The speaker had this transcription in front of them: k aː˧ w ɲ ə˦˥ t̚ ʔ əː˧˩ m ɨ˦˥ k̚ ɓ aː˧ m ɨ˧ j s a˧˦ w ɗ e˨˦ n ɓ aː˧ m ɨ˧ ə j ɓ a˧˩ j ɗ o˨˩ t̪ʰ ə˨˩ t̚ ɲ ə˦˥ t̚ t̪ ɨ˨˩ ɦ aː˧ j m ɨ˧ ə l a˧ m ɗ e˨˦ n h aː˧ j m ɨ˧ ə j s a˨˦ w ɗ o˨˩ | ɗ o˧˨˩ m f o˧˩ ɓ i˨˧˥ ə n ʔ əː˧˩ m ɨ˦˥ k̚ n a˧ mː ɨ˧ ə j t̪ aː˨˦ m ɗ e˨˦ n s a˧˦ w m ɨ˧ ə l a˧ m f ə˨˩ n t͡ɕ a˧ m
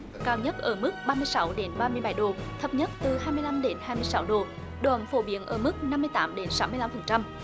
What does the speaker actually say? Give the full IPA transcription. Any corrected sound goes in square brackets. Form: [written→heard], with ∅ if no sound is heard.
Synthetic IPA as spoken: k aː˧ w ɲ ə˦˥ t̚ ʔ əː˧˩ m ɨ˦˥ k̚ ɓ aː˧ m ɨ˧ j s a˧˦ w ɗ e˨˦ n ɓ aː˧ m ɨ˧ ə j ɓ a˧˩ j ɗ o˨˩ t̪ʰ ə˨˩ [t̚→p̚] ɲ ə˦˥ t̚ t̪ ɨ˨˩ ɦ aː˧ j m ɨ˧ ə l a˧ m ɗ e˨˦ n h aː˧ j m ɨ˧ ə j s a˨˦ w ɗ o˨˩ | ɗ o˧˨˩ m f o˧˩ ɓ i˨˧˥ ə n ʔ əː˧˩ m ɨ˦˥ k̚ n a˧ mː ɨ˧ ə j t̪ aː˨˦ m ɗ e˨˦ n s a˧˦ w m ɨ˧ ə l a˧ m f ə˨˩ n t͡ɕ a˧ m

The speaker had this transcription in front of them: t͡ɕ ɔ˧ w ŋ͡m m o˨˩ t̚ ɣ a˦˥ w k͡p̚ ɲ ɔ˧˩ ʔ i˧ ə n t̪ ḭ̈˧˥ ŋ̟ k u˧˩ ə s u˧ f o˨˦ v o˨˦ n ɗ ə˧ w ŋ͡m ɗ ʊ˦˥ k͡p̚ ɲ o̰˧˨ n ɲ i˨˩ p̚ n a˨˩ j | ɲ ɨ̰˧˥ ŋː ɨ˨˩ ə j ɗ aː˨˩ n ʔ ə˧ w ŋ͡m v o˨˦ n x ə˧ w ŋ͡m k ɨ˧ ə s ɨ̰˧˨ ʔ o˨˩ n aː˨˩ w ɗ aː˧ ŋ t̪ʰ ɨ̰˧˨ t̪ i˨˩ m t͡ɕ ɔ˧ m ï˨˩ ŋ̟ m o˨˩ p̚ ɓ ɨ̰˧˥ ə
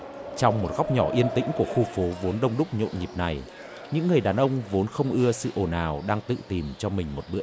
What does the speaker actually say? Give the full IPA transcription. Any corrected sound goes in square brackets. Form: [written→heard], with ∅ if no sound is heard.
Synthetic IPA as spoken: t͡ɕ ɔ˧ w ŋ͡m m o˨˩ t̚ ɣ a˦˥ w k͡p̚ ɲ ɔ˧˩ ʔ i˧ ə n t̪ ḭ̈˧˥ ŋ̟ k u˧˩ ə [s→x] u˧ f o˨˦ v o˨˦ n ɗ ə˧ w ŋ͡m ɗ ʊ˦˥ k͡p̚ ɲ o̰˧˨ n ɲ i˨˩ p̚ n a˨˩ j | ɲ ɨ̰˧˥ ŋː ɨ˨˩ ə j ɗ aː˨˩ n ʔ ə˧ w ŋ͡m v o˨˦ n x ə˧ w ŋ͡m [k→ʔ] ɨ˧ ə s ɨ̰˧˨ ʔ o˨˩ n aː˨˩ w ɗ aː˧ ŋ [t̪ʰ→t̪] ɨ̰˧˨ t̪ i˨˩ m t͡ɕ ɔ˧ m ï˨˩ ŋ̟ m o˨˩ [p̚→t̚] ɓ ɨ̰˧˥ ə

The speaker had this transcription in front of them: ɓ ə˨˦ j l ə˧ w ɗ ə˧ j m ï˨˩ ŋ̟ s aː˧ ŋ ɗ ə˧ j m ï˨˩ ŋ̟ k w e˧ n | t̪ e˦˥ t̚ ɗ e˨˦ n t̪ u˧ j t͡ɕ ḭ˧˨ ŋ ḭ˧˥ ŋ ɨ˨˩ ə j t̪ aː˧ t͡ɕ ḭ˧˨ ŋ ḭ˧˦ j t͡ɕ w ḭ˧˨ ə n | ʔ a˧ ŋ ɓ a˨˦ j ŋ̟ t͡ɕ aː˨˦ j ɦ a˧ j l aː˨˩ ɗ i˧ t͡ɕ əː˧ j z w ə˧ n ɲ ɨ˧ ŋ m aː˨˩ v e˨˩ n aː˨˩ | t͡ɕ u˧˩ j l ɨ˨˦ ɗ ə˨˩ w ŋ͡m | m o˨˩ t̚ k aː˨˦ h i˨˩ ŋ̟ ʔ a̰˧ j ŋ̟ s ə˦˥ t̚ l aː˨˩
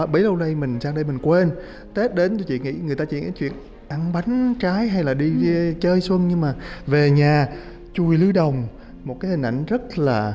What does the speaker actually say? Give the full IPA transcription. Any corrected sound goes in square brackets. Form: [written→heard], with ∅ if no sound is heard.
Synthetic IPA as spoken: ɓ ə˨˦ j l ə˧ w ɗ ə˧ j m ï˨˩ ŋ̟ s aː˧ ŋ ɗ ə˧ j m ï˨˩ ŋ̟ k w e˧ n | t̪ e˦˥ t̚ ɗ e˨˦ n t̪ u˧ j t͡ɕ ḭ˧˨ ŋ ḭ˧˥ ŋ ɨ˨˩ ə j t̪ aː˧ t͡ɕ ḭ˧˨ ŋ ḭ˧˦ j t͡ɕ w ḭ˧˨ ə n | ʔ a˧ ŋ ɓ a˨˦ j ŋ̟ t͡ɕ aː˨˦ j ɦ a˧ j l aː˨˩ ɗ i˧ t͡ɕ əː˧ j [z→s] w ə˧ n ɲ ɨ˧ ŋ m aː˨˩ v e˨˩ [n→ɲ] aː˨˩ | t͡ɕ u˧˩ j l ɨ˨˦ ɗ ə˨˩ w ŋ͡m | m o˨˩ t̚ k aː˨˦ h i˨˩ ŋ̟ ʔ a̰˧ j ŋ̟ [s→z] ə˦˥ t̚ l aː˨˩

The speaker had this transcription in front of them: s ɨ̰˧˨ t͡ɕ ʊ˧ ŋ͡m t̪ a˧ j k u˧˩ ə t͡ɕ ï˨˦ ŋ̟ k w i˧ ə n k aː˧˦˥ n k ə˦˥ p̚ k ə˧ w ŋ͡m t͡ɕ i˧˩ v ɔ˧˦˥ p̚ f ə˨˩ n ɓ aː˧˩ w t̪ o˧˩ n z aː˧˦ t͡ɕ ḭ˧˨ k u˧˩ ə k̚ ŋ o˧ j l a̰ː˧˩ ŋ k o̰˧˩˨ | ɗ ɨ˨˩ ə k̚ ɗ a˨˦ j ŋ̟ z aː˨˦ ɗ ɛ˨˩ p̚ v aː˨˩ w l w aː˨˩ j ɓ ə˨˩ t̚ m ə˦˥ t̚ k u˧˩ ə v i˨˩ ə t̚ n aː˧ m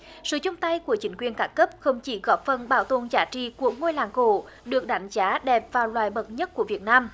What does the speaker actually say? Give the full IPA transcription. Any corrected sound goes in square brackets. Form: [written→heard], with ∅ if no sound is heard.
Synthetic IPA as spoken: s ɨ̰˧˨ t͡ɕ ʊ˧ ŋ͡m t̪ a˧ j k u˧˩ ə t͡ɕ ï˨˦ ŋ̟ k w [i˧→i˨˩] ə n k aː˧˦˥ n k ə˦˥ p̚ [k→x] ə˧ w ŋ͡m t͡ɕ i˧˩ [v→ɣ] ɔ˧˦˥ p̚ f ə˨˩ n ɓ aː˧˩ w t̪ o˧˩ n z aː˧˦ t͡ɕ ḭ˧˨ k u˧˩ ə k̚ ŋ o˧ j l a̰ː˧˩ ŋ k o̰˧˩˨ | ɗ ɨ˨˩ ə k̚ ɗ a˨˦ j ŋ̟ z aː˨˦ ɗ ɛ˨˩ p̚ v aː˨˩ w l w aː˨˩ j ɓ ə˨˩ t̚ [m→ɲ] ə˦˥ t̚ k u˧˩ ə v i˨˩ ə t̚ n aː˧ m

